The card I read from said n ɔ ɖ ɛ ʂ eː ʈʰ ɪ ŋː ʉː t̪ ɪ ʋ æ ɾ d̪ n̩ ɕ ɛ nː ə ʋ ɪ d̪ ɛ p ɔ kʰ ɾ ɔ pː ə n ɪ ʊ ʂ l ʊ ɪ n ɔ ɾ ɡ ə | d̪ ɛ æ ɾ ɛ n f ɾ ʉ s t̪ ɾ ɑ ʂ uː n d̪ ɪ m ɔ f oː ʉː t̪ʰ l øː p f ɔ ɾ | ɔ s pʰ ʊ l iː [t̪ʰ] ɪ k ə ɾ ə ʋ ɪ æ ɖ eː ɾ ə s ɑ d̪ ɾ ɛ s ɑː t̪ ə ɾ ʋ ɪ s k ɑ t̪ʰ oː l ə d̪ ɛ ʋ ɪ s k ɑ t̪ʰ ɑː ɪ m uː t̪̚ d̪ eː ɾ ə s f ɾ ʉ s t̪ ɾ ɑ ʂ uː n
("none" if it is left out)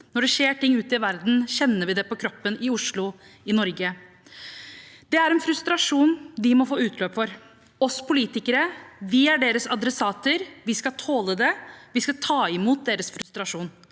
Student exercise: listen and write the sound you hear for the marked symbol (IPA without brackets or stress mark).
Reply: t̪